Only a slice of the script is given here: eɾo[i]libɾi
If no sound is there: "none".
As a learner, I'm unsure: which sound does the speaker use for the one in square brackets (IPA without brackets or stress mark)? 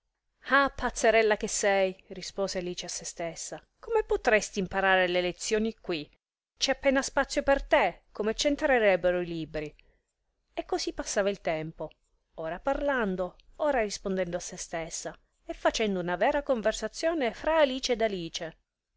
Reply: i